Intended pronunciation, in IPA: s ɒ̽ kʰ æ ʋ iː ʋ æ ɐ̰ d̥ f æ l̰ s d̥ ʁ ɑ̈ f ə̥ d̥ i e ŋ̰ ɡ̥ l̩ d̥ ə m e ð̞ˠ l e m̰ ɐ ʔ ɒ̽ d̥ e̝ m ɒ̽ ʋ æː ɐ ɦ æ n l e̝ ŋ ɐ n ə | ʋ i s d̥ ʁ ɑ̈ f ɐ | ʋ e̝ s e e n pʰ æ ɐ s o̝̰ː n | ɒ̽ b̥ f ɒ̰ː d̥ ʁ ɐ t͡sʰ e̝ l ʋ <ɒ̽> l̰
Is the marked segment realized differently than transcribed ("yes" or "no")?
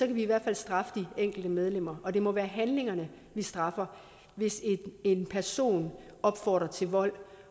no